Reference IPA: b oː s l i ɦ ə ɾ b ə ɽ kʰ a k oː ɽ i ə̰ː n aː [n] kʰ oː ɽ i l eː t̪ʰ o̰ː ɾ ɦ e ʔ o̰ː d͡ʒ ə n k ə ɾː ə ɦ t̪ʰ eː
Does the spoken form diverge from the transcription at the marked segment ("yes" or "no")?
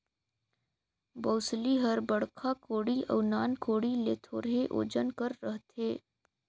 no